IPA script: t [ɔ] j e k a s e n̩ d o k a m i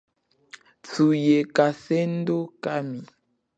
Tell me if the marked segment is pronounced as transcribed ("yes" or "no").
no